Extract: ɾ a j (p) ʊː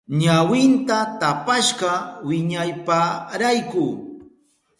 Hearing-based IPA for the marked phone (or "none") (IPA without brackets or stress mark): k